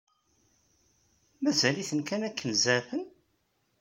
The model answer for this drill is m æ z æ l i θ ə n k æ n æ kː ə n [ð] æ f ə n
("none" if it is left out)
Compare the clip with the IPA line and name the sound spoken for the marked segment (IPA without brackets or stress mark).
z